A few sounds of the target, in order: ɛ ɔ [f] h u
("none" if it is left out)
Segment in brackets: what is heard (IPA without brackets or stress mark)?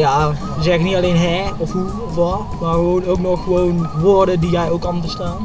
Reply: f